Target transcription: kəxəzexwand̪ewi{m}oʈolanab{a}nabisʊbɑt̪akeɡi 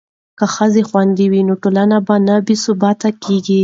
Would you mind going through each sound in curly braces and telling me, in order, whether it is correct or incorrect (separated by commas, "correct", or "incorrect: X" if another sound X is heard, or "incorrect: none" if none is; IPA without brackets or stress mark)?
incorrect: n, correct